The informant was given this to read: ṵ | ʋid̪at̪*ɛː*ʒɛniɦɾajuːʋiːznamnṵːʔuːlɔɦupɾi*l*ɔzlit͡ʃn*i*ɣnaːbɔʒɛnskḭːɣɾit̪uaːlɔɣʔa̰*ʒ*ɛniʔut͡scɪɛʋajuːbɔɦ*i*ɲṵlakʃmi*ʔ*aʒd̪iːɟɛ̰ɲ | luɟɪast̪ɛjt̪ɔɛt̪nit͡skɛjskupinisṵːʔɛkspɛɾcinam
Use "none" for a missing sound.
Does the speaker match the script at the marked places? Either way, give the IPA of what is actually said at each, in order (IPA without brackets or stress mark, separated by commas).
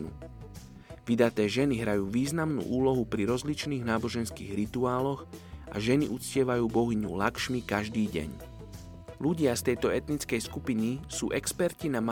ɛː, ɾ, iː, ʒ, i, k